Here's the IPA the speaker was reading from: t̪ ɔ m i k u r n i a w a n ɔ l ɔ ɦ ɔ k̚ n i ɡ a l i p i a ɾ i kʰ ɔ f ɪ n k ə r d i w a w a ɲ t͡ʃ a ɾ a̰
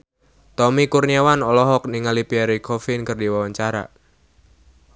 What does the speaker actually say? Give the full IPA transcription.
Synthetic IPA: t̪ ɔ m i k u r n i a w a n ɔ l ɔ ɦ ɔ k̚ n i ŋ a l i p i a ɾ i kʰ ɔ f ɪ n k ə r d i w a w a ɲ t͡ʃ a ɾ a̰